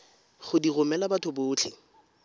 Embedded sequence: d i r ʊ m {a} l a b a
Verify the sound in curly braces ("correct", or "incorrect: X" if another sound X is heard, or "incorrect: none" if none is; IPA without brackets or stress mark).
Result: incorrect: ɛ